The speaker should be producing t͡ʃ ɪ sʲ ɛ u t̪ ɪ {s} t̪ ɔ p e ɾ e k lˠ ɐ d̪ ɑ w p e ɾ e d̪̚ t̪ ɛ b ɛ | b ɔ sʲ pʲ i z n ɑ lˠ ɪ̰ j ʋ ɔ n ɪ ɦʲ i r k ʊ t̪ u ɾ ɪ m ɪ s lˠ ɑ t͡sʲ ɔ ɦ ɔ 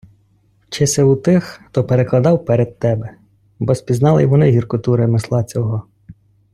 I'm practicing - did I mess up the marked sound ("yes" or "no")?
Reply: yes